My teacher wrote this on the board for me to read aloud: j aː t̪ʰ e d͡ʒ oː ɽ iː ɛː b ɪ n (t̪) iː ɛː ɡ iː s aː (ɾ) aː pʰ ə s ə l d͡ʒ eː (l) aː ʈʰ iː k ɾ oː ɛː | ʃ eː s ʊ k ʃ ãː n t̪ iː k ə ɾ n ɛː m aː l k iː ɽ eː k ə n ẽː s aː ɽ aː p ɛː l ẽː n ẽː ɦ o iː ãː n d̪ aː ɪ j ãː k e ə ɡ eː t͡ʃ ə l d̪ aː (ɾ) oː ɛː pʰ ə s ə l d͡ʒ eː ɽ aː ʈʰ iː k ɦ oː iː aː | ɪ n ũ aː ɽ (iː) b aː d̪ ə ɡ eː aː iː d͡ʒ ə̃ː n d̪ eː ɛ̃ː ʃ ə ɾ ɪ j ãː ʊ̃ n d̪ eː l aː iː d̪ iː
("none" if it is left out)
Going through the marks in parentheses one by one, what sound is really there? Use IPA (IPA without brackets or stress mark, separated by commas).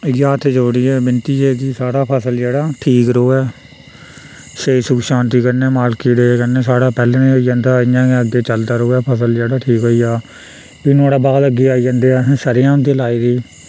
t̪, ɽ, ɽ, ɾ, aː